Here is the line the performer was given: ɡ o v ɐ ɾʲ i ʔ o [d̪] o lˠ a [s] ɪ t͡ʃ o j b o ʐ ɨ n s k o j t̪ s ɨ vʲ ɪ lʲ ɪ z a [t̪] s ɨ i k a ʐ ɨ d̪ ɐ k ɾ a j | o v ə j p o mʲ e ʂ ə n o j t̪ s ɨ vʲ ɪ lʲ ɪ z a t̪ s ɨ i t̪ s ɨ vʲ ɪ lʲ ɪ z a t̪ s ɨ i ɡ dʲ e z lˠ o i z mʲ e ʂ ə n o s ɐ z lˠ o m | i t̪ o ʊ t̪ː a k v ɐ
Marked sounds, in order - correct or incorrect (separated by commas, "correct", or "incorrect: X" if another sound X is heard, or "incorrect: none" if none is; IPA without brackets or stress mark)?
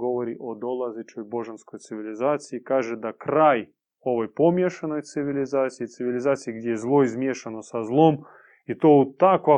correct, incorrect: z, correct